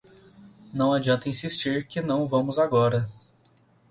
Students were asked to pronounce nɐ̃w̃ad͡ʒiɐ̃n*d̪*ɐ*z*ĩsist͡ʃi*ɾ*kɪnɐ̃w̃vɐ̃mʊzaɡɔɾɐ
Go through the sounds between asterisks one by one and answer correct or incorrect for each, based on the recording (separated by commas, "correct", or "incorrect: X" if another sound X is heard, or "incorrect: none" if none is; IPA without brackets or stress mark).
incorrect: t̪, incorrect: none, correct